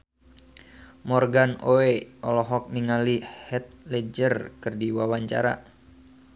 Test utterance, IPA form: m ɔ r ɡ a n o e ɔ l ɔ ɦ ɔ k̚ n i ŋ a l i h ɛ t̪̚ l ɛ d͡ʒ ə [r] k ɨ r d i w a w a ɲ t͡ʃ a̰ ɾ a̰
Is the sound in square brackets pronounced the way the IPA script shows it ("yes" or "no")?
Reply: yes